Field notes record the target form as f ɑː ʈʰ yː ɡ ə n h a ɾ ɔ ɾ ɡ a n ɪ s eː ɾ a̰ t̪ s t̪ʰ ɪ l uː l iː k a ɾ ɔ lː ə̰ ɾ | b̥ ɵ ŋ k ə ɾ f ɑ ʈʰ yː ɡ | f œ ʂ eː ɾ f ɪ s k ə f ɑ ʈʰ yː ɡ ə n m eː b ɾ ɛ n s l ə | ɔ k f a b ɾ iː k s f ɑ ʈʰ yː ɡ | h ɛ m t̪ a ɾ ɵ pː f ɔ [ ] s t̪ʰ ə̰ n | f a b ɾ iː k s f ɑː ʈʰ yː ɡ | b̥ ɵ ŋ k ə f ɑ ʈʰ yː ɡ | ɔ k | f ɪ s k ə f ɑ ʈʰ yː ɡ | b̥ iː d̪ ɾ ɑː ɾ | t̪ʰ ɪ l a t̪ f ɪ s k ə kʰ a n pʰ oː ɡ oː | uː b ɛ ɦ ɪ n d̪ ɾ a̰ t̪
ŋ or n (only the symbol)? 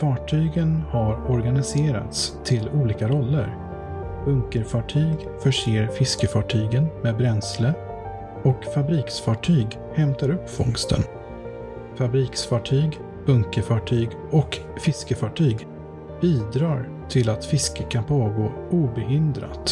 ŋ